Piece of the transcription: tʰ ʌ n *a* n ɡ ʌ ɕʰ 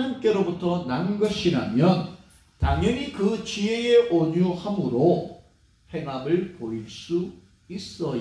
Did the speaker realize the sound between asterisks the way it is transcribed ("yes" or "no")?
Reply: yes